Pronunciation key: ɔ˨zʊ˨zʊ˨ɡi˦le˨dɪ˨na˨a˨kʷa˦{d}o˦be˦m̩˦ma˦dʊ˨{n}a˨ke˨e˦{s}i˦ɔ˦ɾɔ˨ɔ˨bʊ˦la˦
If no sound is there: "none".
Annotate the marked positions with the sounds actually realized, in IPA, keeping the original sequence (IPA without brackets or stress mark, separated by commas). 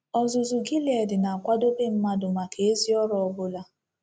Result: d, m, z